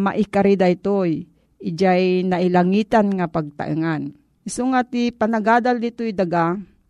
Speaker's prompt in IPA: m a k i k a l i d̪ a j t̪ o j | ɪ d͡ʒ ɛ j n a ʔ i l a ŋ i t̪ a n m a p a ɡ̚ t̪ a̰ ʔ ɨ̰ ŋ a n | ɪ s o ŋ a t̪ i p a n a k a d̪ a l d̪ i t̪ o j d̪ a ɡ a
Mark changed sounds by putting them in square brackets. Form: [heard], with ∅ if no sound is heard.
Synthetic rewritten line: m a [ʔ] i k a [ɾ] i d̪ a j t̪ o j | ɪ d͡ʒ [a] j n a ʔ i l a ŋ i t̪ a n [ŋ] a p a ɡ̚ t̪ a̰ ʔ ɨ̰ ŋ a n | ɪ s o ŋ a t̪ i p a n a [ɡ] a d̪ a l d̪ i t̪ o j d̪ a ɡ a